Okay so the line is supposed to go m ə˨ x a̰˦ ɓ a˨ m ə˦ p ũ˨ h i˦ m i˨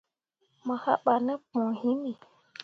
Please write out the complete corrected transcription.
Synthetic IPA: m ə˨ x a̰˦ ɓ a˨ n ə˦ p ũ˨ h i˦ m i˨